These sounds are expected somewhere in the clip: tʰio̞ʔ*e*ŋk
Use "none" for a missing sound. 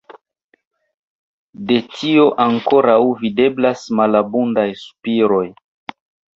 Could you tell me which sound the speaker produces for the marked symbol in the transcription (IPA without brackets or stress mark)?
a